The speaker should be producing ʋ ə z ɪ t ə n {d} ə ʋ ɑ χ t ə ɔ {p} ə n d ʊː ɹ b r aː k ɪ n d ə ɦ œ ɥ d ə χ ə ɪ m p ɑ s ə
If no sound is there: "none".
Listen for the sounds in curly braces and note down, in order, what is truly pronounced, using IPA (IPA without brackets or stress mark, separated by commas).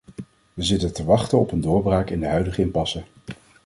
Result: t, p